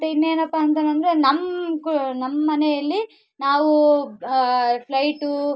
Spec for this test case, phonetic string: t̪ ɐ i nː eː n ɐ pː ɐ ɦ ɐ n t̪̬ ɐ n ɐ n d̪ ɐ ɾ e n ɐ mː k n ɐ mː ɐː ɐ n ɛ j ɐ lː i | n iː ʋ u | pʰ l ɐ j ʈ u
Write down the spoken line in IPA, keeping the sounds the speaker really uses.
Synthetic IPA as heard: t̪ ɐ i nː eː n ɐ pː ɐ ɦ ɐ n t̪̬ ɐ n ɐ n d̪ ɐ ɾ e n ɐ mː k n ɐ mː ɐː ɐ n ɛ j ɐ lː i | n aː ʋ u | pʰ l ɐ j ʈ u